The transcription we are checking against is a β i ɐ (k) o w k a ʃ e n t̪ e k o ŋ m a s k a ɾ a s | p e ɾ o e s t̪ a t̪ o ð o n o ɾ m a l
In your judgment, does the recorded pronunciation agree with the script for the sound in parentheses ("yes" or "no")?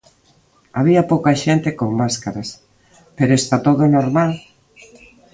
no